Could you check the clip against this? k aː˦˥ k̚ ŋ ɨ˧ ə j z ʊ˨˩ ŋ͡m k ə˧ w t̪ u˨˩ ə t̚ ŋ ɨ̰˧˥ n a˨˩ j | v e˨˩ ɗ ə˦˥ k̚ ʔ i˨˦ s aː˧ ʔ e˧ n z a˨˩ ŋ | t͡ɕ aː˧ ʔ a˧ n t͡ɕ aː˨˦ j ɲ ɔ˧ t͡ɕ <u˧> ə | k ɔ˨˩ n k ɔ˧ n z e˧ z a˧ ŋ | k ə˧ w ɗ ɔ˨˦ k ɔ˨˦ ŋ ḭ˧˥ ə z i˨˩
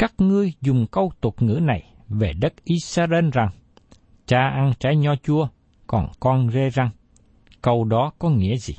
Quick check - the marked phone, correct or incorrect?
correct